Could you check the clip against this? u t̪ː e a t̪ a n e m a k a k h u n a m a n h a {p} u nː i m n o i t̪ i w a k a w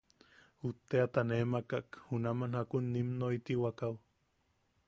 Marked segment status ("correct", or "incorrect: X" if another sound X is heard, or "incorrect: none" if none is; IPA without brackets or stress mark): incorrect: k